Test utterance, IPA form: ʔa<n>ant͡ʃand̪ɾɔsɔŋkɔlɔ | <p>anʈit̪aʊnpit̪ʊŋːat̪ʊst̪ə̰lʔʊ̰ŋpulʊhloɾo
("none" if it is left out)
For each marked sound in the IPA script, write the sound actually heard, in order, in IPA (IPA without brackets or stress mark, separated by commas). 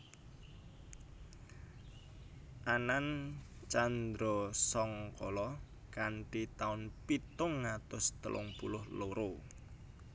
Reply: n, k